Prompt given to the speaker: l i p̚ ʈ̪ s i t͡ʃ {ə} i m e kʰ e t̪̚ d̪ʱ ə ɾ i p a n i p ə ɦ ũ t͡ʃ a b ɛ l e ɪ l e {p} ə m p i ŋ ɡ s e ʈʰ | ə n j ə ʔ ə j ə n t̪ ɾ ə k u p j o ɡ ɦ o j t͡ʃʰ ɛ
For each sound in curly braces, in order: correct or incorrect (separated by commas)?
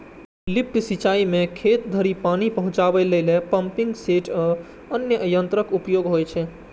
incorrect, correct